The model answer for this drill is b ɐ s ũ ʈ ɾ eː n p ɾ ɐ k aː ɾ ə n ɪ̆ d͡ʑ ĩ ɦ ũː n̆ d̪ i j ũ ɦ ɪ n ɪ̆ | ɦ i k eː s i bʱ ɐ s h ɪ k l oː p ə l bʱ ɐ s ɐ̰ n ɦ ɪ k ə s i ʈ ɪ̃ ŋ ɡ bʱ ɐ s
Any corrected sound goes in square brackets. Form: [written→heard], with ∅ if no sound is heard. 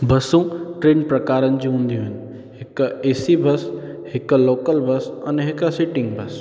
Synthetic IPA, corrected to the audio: b ɐ s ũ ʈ ɾ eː n p ɾ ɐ k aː ɾ ə n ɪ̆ d͡ʑ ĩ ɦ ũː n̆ d̪ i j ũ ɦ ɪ n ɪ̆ | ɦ [i→ɪ] k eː s i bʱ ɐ s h ɪ k l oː [p→k] ə l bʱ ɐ s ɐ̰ n ɦ ɪ k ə s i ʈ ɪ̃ ŋ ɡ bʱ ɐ s